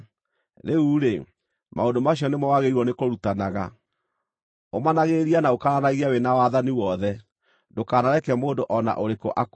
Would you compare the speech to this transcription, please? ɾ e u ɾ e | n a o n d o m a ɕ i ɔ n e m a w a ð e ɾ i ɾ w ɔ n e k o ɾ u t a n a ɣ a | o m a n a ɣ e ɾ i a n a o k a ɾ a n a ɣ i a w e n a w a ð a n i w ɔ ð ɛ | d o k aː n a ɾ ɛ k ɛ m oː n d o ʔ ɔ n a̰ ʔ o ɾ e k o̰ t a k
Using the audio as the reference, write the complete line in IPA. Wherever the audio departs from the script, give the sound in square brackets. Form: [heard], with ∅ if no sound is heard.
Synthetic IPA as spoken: ɾ e u ɾ e | [m] a o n d o m a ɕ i ɔ n e m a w a [ɣ] e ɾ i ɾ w ɔ n e k o ɾ u t a n a ɣ a | o m a n a ɣ e ɾ i a n a o k a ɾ a n a ɣ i a w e n a w a ð a n i w ɔ ð ɛ | d o k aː n a ɾ ɛ k ɛ m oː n d o ʔ ɔ n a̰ ʔ o ɾ e k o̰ [ʔ] a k